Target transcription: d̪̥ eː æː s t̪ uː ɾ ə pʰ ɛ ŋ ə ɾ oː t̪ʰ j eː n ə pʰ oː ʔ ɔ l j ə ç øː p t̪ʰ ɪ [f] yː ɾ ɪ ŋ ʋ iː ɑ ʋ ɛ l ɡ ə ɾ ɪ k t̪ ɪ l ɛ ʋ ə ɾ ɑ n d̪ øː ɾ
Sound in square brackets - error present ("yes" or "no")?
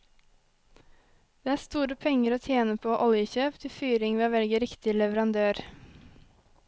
no